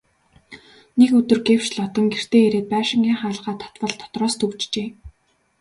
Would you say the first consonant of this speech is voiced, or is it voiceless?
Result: voiced